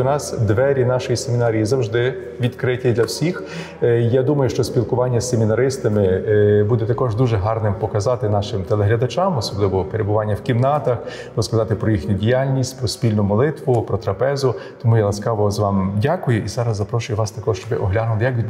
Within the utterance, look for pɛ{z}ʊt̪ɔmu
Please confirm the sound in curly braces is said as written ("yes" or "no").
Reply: yes